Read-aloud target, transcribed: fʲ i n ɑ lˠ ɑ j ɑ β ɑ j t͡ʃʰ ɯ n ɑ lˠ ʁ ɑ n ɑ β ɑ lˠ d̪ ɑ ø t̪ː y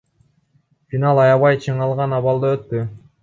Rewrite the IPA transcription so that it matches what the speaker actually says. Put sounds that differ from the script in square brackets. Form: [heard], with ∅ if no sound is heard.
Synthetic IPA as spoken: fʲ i n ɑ lˠ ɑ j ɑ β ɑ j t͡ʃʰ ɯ [ɴ] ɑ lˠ ʁ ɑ n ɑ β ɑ lˠ d̪ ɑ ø t̪ː y